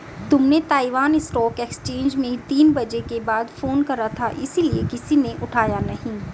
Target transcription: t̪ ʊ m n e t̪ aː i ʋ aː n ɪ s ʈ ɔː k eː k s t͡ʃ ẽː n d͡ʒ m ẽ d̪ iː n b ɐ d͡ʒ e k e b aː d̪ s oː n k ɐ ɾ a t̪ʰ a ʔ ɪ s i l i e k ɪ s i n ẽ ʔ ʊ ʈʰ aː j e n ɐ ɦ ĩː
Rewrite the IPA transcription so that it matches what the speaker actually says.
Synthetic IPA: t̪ ʊ m n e t̪ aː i ʋ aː n ɪ s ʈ ɔː k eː k s t͡ʃ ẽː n d͡ʒ m ẽ t̪ iː n b ɐ d͡ʒ e k e b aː d̪ f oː n k ɐ ɾ a t̪ʰ a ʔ ɪ s i l i e k ɪ s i n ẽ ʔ ʊ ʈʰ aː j a n ɐ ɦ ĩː